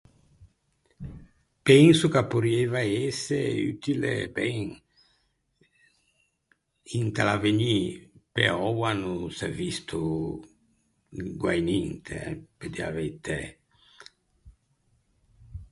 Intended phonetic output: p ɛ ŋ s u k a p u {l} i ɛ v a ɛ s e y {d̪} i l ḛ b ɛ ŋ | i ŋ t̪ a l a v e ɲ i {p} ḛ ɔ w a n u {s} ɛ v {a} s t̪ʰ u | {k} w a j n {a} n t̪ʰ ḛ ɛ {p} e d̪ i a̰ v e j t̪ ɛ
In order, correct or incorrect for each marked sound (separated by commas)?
incorrect, incorrect, correct, correct, incorrect, incorrect, incorrect, correct